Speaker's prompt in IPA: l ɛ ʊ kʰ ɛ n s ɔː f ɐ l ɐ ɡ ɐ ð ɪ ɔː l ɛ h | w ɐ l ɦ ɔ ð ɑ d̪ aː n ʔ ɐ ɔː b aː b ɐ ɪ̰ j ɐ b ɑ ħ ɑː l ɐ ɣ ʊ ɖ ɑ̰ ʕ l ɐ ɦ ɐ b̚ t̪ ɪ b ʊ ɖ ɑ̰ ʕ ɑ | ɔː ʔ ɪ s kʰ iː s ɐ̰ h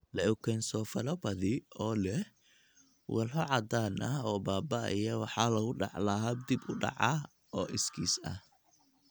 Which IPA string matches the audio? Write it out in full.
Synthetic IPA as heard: l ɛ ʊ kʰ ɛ n s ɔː f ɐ l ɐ b ɐ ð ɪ ɔː l ɛ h | w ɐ l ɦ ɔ ʕ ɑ d̪ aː n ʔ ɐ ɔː b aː b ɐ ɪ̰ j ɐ w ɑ ħ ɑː l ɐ ɣ ʊ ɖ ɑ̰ ʕ l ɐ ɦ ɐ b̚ d̪ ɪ b ʊ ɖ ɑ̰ ʕ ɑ | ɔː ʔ ɪ s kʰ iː s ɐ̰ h